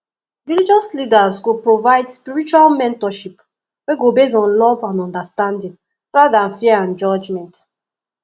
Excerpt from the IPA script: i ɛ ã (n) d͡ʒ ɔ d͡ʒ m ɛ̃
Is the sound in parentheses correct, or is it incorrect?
correct